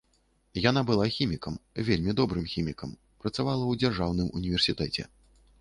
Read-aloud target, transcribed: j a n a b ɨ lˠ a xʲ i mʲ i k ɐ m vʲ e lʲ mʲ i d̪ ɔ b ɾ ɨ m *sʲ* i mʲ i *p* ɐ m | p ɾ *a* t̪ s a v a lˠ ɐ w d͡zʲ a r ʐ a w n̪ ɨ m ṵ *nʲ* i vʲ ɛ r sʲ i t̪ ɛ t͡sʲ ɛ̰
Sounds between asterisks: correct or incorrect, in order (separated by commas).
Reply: incorrect, incorrect, incorrect, correct